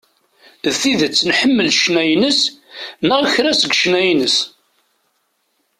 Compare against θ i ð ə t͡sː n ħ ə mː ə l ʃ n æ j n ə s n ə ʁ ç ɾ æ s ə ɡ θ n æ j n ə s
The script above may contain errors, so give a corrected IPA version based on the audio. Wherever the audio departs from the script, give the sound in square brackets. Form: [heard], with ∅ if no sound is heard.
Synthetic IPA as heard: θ i ð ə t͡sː n ħ ə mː ə l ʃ n æ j n ə s n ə ʁ ç ɾ æ s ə ɡ [ʃ] n æ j n ə s